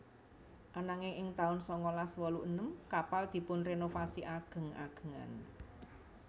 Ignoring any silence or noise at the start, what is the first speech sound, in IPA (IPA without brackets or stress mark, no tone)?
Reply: ʔ